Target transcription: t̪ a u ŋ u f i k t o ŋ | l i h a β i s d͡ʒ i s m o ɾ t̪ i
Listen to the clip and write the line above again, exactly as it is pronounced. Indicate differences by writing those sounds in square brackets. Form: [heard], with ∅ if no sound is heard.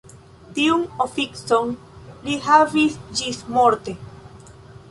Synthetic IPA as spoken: t̪ [i] u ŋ [o] f i k [s] o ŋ | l i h a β i s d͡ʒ i s m o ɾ t̪ [e]